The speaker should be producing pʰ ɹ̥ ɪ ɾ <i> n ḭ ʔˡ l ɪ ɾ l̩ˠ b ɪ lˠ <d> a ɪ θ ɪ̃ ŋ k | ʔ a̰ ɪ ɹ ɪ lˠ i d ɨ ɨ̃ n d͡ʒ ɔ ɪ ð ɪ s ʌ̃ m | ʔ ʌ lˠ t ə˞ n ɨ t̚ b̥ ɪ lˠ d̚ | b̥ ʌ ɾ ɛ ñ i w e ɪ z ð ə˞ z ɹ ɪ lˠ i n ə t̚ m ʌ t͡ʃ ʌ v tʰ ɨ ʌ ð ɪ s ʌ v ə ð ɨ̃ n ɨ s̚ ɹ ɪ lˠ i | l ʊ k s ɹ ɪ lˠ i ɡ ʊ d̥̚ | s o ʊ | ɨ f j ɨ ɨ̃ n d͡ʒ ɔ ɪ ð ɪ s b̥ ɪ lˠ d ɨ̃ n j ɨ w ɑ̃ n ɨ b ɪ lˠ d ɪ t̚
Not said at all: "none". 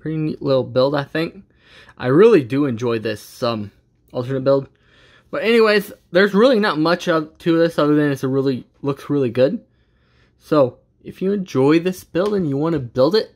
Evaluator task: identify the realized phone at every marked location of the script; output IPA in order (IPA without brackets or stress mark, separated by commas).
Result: i, d